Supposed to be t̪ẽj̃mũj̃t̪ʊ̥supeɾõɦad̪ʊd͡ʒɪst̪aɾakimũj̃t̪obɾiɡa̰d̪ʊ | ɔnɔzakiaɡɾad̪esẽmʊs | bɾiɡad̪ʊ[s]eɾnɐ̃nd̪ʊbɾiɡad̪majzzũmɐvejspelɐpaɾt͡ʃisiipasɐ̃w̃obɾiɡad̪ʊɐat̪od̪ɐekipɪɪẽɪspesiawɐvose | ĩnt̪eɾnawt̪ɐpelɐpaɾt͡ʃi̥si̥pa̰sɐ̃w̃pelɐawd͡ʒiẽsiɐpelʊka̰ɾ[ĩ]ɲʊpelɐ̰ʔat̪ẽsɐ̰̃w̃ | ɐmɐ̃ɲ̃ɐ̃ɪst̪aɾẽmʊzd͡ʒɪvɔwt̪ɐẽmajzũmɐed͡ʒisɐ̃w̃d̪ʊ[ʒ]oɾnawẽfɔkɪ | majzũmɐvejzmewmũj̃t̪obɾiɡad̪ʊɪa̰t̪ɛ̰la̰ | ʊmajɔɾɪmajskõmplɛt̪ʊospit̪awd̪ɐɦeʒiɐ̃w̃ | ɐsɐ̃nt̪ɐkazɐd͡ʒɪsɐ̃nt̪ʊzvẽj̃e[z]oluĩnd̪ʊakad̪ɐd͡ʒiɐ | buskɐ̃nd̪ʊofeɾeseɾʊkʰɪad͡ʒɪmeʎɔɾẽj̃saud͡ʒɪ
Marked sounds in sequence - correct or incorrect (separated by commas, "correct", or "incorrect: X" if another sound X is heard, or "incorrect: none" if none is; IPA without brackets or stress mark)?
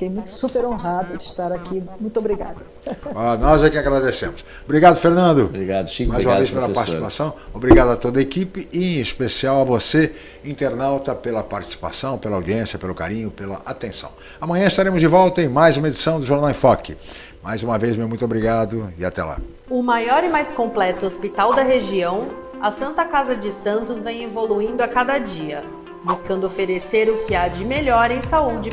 incorrect: f, correct, correct, incorrect: v